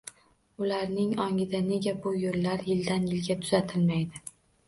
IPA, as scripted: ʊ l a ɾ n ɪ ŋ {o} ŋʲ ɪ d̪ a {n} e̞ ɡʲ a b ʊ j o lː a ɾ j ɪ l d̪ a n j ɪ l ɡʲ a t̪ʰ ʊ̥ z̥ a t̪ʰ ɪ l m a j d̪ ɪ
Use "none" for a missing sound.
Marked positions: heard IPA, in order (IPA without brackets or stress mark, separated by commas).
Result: ɒ, n